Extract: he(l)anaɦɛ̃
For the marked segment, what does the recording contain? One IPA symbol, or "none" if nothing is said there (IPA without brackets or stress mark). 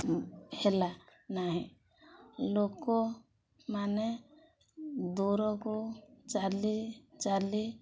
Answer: l